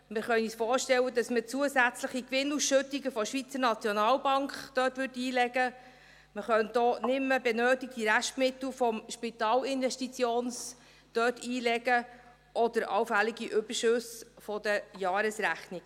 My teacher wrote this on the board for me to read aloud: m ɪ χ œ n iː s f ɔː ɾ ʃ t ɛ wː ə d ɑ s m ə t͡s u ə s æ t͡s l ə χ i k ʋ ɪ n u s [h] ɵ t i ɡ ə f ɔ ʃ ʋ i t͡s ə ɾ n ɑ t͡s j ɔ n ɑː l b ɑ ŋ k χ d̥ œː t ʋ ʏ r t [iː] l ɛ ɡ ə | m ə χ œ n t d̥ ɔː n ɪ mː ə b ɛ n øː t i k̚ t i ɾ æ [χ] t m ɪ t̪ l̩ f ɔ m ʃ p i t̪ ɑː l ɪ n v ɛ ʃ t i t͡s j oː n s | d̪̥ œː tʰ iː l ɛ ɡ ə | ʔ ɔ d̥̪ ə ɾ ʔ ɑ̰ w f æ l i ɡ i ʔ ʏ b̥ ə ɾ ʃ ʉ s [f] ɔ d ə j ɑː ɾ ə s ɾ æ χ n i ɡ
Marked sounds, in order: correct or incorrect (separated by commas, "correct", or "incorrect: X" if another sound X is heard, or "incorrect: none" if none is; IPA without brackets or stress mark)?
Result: incorrect: ʃ, correct, incorrect: ʃ, correct